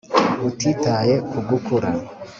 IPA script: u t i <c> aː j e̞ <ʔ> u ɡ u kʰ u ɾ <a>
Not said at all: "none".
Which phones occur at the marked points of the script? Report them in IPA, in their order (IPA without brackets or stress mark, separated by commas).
t, k, a